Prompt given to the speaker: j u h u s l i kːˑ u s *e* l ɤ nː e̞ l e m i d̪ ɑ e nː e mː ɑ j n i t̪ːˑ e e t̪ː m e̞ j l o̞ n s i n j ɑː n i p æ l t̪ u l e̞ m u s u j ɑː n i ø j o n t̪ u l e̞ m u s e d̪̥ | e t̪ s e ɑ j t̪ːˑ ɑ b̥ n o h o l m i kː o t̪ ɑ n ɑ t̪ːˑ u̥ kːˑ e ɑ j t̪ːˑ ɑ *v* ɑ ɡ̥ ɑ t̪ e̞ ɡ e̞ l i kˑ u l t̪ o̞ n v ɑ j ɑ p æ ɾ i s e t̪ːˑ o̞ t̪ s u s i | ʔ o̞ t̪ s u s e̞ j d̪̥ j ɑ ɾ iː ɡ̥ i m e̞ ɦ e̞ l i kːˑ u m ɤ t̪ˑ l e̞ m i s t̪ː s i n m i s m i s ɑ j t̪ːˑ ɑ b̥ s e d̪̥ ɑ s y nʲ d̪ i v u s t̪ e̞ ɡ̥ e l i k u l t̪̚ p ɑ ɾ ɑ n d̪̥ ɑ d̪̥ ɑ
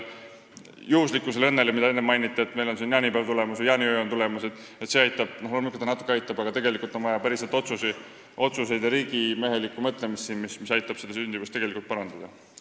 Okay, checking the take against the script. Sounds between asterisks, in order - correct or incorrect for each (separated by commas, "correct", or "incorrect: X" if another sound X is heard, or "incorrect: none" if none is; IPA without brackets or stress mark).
correct, incorrect: b